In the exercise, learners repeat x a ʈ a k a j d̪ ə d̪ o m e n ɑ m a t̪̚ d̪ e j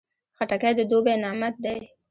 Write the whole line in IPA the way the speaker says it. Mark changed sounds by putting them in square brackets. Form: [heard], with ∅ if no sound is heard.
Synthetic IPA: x a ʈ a k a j d̪ ə d̪ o [b] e n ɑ m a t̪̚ d̪ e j

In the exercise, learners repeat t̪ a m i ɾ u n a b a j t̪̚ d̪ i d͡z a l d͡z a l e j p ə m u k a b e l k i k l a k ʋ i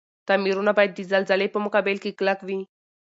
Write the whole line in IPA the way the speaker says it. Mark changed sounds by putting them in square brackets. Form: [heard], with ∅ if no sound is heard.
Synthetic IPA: t̪ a m i ɾ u n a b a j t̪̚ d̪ i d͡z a l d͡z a l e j p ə m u k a b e l k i k l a k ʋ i

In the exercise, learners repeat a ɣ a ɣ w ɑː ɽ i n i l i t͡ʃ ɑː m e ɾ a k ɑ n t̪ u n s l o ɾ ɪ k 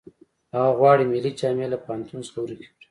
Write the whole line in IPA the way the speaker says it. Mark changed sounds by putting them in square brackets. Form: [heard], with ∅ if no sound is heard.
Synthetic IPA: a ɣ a ɣ w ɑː ɽ i [m] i l i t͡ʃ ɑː m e [l] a [p] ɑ n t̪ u n s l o ɾ [i] k

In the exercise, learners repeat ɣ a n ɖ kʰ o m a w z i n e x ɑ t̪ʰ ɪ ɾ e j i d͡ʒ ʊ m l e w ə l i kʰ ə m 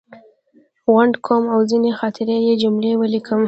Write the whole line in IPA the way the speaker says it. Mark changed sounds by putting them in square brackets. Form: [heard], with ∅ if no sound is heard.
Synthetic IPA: ɣ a [ɳ] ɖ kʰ o m a w z i n e x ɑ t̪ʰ ɪ ɾ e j [e] d͡ʒ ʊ m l e w ə l i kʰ ə m

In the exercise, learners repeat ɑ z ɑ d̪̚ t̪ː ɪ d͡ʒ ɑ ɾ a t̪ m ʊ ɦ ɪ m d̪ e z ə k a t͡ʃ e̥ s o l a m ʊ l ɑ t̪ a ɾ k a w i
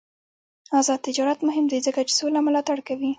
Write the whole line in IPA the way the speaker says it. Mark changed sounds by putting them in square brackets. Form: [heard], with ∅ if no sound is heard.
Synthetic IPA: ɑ z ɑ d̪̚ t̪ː ɪ d͡ʒ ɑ ɾ a t̪ m ʊ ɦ ɪ m d̪ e z ə k a t͡ʃ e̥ s o l a m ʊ l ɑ t̪ a [ɽ] k a w i

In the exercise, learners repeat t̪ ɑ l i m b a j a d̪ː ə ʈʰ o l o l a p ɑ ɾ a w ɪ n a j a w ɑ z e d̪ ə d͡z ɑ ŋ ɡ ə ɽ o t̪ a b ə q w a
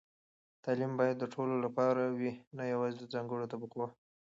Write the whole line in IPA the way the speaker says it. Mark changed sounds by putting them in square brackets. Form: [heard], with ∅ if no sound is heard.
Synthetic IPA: t̪ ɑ l i m b [ɑ] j a d̪ː ə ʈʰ o l o l a p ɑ ɾ a w [i] n a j a w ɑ z e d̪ ə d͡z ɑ ŋ ɡ ə ɽ o t̪ a b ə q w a

